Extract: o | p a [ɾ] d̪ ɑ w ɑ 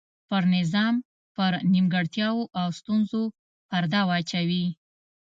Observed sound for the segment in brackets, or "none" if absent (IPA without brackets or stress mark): ɾ